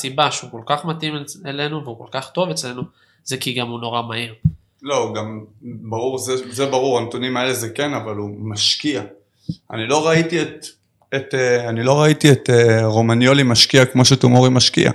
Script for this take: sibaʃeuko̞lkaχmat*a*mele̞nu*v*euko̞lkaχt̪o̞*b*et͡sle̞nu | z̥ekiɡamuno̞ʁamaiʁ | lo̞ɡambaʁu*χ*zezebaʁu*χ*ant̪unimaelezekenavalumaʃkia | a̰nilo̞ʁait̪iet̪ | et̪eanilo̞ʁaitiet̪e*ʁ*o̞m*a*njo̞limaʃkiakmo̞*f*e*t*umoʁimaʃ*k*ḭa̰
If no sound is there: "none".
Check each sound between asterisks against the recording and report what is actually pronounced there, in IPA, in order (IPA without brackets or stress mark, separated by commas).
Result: i, v, v, ʁ, ʁ, ʁ, a, ʃ, t, k